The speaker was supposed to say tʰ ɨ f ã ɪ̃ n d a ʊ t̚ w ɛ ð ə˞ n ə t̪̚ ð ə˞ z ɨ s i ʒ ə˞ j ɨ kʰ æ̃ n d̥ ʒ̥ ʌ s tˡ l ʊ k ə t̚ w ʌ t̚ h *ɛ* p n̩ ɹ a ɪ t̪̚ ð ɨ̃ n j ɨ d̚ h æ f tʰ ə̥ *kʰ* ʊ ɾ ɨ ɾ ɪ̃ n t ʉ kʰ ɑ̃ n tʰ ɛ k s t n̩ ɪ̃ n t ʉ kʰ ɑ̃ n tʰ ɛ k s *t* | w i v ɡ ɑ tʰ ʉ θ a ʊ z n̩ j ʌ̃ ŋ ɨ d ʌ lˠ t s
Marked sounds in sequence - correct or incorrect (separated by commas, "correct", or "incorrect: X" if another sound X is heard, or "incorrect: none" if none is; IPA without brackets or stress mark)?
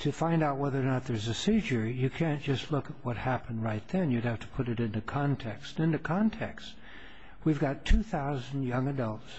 incorrect: æ, incorrect: pʰ, correct